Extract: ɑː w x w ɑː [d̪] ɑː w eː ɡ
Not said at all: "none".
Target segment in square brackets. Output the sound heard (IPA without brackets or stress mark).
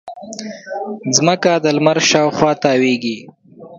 t̪